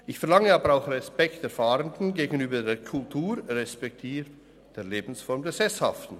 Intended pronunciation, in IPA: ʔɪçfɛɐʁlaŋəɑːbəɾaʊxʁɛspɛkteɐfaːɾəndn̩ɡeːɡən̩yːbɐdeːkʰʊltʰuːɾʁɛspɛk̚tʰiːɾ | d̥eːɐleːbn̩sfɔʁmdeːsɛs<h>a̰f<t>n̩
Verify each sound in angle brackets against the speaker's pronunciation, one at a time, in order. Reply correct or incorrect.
correct, correct

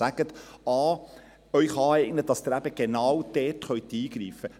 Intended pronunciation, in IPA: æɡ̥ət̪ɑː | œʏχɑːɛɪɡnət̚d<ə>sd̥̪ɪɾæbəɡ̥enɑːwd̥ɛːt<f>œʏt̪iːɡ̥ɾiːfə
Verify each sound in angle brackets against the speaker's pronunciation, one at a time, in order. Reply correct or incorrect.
incorrect: ɑ, incorrect: χ

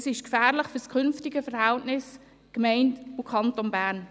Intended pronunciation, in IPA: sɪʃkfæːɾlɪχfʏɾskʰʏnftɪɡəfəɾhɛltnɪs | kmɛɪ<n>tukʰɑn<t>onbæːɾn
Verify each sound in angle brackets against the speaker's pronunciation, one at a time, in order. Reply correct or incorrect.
correct, correct

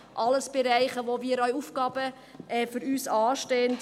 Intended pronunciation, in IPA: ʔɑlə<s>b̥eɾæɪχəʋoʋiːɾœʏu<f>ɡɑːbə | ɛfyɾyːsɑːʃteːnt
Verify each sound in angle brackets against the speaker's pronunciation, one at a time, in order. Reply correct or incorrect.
correct, correct

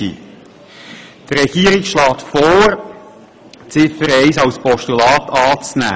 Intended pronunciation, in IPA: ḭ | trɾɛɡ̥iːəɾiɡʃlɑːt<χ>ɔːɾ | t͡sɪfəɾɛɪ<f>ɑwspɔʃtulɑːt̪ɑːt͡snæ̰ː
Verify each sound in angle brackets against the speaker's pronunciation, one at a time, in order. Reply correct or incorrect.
incorrect: f, incorrect: s

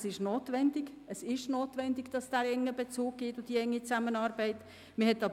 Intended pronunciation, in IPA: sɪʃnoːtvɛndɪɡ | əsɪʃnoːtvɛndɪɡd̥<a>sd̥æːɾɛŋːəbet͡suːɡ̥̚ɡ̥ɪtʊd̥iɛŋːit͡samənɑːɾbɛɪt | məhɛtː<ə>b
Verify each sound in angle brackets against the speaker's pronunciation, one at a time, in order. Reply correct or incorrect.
incorrect: ɑ, incorrect: ɑ

